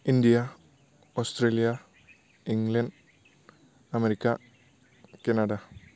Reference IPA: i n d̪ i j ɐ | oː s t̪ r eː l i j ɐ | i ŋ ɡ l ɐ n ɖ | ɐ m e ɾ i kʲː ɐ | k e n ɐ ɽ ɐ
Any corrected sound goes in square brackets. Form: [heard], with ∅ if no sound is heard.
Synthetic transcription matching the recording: i n d̪ i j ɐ | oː s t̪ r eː l i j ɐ | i ŋ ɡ l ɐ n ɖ | ɐ m e ɾ i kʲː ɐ | k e n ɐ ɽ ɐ